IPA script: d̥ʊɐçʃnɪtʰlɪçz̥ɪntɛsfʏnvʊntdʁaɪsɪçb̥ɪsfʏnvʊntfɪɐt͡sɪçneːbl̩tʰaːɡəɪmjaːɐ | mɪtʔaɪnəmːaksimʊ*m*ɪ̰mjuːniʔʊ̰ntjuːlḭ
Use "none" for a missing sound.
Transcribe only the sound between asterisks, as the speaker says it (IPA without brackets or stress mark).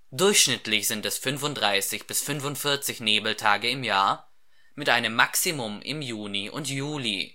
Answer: m